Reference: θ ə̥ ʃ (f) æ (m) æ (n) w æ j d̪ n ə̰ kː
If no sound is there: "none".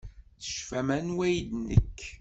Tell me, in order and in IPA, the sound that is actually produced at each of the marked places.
f, m, n

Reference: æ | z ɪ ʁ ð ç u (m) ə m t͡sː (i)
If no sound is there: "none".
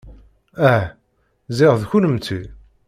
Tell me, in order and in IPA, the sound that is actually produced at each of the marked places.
n, i

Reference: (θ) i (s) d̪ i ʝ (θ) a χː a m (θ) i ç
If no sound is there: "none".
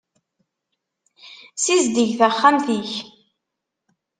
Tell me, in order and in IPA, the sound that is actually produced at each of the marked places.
s, z, θ, θ

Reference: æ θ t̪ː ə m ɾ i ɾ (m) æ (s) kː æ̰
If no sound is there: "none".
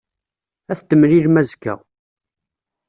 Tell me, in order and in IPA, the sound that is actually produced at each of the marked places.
m, z

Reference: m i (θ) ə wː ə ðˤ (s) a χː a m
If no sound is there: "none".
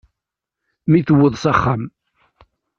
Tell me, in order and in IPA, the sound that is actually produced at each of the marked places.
θ, s

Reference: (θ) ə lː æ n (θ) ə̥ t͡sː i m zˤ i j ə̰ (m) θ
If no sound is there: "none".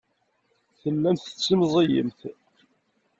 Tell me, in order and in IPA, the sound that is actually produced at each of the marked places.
θ, θ, m

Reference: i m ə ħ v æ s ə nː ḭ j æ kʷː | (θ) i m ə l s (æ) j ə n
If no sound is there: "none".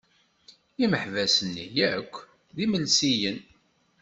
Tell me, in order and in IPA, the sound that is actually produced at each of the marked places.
ð, i

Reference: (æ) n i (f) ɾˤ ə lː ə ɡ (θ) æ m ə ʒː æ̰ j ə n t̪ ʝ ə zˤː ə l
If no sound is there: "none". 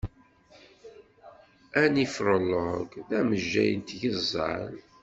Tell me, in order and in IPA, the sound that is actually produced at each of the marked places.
æ, f, ð

